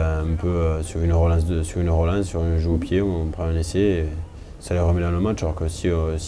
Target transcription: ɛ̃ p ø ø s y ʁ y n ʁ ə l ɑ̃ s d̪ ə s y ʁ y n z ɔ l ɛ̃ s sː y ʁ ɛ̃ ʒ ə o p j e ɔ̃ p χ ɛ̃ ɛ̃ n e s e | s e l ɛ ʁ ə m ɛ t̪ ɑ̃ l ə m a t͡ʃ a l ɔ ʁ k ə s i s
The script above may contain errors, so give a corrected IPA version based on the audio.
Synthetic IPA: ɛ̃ p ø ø s y ʁ y n ʁ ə l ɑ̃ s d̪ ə s y ʁ y n ʁ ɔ l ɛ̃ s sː y ʁ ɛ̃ ʒ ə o p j e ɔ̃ p χ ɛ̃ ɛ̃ n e s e | s a l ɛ ʁ ə m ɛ d̪ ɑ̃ l ə m a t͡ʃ a l ɔ ʁ k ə s i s